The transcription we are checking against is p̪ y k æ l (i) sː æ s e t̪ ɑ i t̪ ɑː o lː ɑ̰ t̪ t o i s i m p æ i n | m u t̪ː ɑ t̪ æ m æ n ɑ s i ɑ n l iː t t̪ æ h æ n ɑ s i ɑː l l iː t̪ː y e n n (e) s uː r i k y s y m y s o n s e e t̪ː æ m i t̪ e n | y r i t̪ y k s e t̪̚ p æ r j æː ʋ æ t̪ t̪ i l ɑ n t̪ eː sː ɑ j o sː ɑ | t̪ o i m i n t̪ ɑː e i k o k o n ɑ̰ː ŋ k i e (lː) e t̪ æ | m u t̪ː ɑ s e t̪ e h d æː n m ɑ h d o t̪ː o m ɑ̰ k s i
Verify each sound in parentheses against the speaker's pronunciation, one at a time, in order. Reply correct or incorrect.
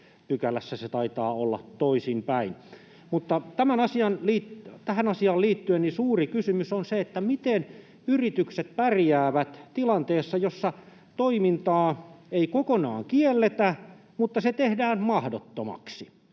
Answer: incorrect: æ, incorrect: i, correct

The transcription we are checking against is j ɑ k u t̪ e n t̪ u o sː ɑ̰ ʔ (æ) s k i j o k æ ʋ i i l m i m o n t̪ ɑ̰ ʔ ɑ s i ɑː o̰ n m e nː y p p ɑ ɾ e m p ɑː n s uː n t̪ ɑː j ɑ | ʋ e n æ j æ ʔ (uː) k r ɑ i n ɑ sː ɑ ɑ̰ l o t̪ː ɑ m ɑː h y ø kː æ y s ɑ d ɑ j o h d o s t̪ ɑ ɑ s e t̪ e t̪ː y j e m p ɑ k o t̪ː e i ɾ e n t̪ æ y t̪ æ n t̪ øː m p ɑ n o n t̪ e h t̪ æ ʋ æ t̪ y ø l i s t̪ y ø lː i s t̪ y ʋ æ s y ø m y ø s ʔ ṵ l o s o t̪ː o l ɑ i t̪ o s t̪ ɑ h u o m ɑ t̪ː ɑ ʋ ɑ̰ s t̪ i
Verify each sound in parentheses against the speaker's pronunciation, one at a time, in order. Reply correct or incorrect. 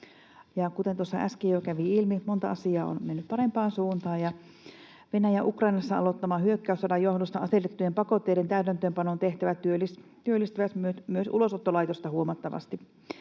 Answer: correct, incorrect: u

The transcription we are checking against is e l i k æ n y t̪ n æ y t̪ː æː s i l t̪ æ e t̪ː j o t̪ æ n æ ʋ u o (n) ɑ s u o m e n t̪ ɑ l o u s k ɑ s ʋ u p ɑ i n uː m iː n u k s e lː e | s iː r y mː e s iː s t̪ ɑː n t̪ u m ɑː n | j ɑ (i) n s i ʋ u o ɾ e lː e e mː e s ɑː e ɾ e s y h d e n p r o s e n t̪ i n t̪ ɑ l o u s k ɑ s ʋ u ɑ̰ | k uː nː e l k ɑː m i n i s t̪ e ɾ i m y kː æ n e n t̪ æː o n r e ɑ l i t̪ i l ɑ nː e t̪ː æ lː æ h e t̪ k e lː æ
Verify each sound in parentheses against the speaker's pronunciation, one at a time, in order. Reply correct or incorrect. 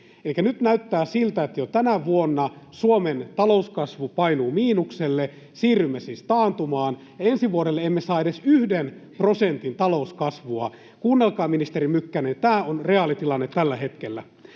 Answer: incorrect: nː, incorrect: e

